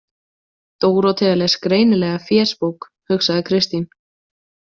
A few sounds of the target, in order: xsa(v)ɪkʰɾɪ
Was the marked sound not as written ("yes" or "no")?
yes